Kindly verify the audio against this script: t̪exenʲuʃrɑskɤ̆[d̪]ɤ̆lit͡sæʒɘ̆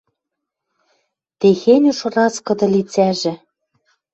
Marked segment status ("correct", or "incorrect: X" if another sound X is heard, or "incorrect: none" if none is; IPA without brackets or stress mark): correct